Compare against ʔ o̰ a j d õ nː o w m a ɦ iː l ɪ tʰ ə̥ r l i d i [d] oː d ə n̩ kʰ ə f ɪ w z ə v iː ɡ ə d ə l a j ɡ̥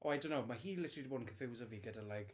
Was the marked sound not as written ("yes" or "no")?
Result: yes